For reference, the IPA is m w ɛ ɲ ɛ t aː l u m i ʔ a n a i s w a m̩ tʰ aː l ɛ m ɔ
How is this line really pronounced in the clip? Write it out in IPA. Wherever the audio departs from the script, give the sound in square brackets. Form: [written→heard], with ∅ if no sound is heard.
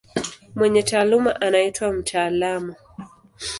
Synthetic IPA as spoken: m w ɛ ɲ ɛ t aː l u m [i→a] ʔ a n a i [s→t] w a m̩ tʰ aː l [ɛ→a] m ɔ